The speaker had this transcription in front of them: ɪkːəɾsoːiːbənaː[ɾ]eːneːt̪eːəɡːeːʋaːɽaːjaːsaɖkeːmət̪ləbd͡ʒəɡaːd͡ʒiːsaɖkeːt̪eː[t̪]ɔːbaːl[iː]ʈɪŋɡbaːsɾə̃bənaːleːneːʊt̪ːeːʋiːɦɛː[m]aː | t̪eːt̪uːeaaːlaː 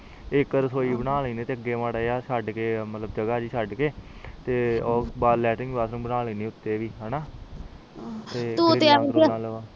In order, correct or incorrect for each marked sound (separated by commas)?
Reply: incorrect, incorrect, incorrect, incorrect